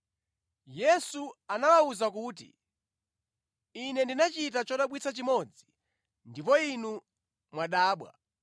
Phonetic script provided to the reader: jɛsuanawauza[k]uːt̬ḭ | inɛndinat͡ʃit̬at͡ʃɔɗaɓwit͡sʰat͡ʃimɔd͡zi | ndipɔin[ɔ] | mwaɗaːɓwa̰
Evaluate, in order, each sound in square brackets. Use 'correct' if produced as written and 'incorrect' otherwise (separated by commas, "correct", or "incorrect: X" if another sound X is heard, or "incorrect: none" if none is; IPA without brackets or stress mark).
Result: correct, incorrect: u